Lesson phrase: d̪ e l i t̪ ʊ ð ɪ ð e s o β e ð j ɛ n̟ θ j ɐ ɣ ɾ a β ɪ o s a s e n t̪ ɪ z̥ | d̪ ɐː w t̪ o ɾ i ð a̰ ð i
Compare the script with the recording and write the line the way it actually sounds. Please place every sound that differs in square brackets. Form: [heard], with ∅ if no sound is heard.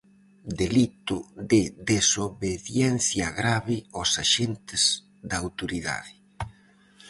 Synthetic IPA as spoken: d̪ e l i t̪ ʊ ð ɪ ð e s o β e ð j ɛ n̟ θ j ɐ ɣ ɾ a β ɪ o s a [ʃ] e n t̪ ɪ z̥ | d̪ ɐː w t̪ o ɾ i ð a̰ ð [ɪ]